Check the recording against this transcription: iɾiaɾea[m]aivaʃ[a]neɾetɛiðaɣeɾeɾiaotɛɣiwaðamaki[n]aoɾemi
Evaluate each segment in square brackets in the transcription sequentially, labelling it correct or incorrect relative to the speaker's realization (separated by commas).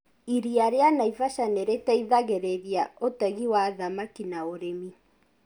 incorrect, correct, correct